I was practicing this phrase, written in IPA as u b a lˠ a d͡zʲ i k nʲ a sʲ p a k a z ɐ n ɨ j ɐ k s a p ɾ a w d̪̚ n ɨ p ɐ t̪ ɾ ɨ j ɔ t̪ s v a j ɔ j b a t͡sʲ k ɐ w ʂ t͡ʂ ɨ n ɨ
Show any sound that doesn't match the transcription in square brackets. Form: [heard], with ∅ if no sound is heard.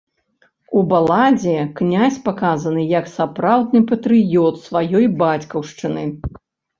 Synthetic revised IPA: u b a lˠ a d͡zʲ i k nʲ a sʲ p a k a z ɐ n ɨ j ɐ k s a p ɾ a w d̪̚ n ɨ p ɐ t̪ ɾ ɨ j ɔ t̪ s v a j ɔ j b a t͡sʲ k ɐ w ʂ t͡ʂ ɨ n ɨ